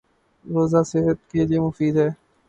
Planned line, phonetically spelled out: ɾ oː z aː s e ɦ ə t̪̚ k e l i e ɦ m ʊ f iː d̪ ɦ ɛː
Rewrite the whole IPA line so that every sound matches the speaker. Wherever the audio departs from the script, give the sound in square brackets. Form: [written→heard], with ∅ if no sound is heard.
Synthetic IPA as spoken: ɾ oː z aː s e ɦ ə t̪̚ k e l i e [ɦ→∅] m ʊ f iː d̪ ɦ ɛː